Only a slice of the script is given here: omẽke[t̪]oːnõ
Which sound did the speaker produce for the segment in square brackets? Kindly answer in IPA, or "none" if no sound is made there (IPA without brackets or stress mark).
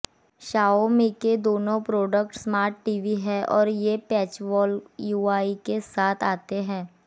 d̪